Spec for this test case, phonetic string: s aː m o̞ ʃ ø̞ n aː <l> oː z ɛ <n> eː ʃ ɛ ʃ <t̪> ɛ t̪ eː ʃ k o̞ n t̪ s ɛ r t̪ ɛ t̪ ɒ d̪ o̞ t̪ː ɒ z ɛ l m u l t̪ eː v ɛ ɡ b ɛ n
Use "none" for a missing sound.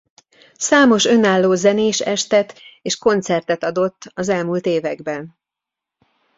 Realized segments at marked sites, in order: lː, n, t̪

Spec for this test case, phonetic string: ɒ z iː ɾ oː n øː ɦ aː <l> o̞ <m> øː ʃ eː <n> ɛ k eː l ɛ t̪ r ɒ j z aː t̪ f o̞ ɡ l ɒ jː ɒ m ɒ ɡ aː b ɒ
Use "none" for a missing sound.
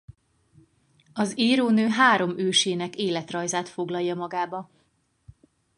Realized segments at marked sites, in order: ɾ, m, n

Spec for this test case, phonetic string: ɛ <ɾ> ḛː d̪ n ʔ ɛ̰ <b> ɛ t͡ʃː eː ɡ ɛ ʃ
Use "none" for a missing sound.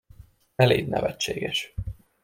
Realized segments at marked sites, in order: l, v

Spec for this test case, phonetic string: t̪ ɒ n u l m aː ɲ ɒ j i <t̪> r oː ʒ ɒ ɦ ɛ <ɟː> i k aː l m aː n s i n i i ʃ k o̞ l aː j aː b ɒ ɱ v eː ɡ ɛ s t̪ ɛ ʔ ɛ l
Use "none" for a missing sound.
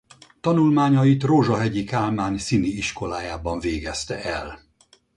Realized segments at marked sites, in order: t̪, ɟ

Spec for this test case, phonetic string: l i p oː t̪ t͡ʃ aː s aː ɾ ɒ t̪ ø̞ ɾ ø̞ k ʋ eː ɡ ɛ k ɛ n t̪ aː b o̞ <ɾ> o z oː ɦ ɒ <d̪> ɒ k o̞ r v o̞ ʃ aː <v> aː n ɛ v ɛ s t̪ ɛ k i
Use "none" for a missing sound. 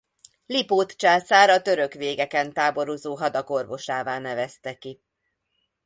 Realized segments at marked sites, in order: ɾ, d̪, v

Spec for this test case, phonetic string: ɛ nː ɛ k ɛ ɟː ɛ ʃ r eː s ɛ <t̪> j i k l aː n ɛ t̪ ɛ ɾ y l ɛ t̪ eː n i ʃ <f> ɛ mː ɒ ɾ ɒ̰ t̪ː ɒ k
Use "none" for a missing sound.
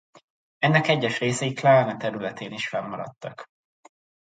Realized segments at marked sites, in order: none, f

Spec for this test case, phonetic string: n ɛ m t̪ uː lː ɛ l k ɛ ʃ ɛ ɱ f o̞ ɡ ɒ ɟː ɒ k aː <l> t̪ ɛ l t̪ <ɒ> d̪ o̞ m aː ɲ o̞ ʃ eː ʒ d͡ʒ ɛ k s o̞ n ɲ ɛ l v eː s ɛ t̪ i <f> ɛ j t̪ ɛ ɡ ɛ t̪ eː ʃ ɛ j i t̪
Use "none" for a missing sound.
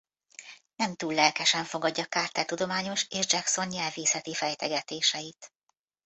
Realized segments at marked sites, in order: r, u, f

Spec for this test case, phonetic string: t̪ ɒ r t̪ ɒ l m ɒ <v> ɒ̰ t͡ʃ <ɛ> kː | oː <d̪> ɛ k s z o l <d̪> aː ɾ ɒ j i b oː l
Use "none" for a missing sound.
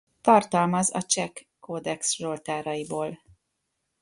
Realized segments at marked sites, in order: z, ɛ, d̪, t̪

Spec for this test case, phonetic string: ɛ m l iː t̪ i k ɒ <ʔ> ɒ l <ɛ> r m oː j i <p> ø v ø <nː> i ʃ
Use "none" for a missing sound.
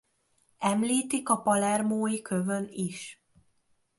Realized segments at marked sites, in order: p, ɛ, k, n

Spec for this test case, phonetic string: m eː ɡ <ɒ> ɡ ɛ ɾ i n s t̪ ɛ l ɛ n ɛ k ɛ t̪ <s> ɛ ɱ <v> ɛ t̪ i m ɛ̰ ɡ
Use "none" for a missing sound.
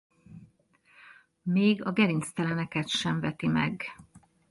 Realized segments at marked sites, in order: ɒ, ʃ, v

